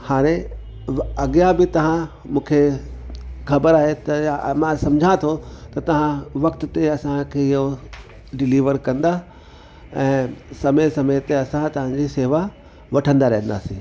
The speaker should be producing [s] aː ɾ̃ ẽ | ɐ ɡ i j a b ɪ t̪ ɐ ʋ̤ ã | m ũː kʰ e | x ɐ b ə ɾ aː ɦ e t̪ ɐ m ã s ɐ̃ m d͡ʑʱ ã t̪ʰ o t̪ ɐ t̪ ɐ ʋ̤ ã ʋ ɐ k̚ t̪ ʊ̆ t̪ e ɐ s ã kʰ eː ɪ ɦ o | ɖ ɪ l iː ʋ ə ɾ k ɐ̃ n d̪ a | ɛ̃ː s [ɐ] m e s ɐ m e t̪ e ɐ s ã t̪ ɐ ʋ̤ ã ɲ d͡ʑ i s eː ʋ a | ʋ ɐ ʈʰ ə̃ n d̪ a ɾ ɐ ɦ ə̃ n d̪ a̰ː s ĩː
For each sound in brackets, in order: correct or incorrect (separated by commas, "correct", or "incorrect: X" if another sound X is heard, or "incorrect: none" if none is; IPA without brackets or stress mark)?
incorrect: h, correct